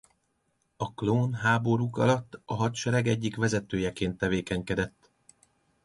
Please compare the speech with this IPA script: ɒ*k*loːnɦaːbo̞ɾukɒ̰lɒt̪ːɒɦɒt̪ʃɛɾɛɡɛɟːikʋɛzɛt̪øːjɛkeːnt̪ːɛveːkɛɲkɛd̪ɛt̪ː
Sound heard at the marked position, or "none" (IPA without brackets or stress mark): k